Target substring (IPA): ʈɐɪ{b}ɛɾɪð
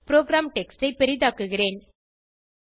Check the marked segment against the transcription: incorrect: p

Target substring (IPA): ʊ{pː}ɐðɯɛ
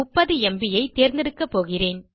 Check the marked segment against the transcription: correct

